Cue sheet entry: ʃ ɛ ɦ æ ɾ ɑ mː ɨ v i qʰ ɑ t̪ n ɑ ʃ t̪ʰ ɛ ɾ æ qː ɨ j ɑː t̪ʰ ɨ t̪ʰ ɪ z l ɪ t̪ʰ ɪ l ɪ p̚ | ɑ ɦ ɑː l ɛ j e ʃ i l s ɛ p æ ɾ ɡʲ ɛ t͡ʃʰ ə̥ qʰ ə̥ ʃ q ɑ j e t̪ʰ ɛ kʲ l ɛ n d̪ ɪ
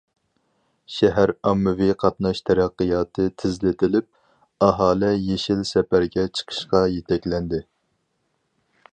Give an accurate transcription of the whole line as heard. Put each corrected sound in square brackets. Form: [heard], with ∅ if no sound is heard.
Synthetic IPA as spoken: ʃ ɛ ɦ æ ɾ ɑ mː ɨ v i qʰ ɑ t̪ n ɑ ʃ t̪ʰ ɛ ɾ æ qː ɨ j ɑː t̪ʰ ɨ t̪ʰ ɪ z l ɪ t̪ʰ ɪ l ɪ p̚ | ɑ ɦ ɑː l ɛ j e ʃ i l s ɛ p æ ɾ ɡʲ ɛ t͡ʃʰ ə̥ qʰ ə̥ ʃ q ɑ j e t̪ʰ ɛ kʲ l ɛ n d̪ ɪ